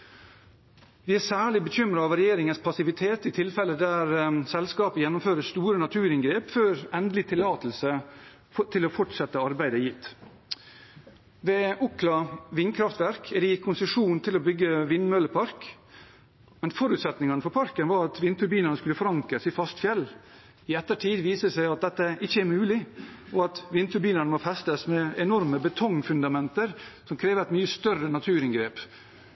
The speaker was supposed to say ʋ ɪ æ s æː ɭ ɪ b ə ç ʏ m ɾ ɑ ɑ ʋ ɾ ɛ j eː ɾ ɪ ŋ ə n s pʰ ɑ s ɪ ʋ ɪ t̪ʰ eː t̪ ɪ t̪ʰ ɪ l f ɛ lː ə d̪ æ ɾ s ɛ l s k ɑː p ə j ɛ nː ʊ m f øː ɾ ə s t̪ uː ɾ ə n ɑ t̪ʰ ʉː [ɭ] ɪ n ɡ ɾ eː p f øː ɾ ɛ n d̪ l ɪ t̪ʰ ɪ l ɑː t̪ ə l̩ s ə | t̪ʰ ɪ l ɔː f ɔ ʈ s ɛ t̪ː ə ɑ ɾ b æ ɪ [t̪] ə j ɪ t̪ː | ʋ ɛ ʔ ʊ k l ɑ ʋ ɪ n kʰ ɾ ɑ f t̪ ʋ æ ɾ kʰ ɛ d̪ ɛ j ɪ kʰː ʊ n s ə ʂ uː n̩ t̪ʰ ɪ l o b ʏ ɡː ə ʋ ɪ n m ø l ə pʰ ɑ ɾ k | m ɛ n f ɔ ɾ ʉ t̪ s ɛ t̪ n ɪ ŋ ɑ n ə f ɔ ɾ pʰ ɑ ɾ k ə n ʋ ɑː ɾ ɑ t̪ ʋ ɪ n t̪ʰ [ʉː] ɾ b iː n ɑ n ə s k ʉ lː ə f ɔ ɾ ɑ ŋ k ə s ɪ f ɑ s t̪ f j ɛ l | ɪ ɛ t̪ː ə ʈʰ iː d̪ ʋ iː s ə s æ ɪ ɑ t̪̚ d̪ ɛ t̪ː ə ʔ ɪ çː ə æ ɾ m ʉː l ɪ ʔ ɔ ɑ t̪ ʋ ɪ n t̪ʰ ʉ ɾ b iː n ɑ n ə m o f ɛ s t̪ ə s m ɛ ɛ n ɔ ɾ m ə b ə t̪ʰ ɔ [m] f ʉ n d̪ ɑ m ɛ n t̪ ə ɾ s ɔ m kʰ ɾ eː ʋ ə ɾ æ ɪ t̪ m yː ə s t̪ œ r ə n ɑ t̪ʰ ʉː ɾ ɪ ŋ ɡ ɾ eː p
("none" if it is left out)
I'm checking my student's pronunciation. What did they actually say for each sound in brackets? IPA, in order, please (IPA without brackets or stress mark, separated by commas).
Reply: ɾ, d̪, ʉ, ŋ